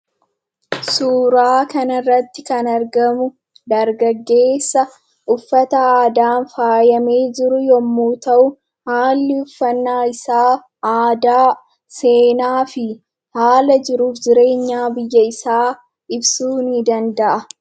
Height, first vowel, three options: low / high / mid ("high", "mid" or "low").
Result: high